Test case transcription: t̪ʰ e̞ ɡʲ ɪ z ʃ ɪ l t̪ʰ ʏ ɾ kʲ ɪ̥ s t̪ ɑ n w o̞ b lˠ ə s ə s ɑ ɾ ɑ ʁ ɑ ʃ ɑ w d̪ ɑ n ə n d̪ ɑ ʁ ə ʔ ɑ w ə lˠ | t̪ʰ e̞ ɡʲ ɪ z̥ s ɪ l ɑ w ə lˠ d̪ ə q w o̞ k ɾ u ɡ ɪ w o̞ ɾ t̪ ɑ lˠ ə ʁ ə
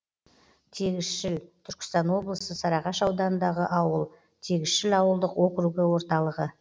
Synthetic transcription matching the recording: t̪ʰ e̞ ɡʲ ɪ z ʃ ɪ l t̪ʰ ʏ ɾ kʲ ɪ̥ s t̪ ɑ n w o̞ b lˠ ə s ə s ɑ ɾ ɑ ʁ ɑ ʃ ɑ w d̪ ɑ n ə n d̪ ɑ ʁ ə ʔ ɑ w ə lˠ | t̪ʰ e̞ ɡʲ ɪ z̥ ʃ ɪ l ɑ w ə lˠ d̪ ə q w o̞ k ɾ u ɡ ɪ w o̞ ɾ t̪ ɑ lˠ ə ʁ ə